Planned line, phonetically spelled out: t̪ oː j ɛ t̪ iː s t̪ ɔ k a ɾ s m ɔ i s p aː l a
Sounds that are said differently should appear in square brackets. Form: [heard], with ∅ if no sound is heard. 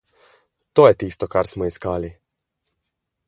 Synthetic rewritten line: t̪ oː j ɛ t̪ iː s t̪ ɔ k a ɾ s m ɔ i s [k] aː l [i]